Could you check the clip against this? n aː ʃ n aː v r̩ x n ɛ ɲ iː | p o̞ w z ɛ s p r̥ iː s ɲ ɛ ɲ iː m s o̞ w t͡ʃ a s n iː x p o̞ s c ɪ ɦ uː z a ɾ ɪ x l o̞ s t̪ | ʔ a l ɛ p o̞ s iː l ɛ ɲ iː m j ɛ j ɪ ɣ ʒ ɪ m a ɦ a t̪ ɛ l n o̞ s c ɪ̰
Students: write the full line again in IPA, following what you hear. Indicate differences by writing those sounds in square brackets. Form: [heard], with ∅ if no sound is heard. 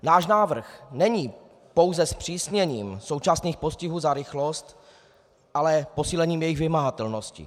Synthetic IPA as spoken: n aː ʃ n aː v r̩ x n ɛ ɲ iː | p o̞ w z ɛ s p r̥ iː s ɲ ɛ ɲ iː m s o̞ w t͡ʃ a s n iː x p o̞ s c ɪ ɦ uː z a ɾ ɪ x l o̞ s t̪ | ʔ a l ɛ p o̞ s iː l ɛ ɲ iː m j ɛ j ɪ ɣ [v] ɪ m a ɦ a t̪ ɛ l n o̞ s c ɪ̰